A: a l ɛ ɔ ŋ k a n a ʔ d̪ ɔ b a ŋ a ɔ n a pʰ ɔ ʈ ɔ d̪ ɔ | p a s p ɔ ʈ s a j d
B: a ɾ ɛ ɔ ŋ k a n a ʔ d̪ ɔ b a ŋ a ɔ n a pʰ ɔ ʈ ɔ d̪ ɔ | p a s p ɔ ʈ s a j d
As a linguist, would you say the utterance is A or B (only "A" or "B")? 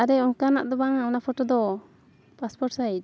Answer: B